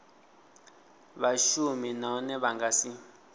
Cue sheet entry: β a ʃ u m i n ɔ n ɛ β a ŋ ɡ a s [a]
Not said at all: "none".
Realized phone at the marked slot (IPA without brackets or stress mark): i